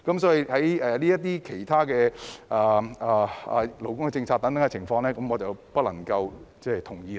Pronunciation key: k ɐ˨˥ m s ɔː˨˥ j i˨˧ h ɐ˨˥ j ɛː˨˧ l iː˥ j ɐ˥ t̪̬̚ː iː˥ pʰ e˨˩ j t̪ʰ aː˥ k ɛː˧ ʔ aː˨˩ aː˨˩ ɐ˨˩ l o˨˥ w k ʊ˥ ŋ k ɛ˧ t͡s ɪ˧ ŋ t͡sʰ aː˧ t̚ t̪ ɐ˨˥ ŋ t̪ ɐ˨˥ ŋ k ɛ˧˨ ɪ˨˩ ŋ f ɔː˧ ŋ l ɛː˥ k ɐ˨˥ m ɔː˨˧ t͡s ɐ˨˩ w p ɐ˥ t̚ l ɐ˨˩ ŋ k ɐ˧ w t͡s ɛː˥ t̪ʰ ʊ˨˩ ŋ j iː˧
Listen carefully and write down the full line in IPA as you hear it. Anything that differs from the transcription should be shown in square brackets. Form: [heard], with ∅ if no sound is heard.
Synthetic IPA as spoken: k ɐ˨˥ m s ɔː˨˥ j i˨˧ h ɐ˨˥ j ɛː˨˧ l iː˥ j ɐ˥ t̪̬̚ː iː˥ [kʰ] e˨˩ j t̪ʰ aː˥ k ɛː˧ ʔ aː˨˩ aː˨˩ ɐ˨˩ l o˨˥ w k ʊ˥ ŋ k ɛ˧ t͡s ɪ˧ ŋ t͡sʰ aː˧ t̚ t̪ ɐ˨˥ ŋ t̪ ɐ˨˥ ŋ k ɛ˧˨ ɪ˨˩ ŋ f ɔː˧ ŋ l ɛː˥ k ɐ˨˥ m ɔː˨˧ t͡s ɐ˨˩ w p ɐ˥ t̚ l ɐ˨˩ ŋ k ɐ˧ w t͡s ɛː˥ t̪ʰ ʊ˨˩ ŋ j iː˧